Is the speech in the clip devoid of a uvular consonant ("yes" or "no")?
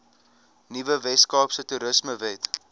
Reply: yes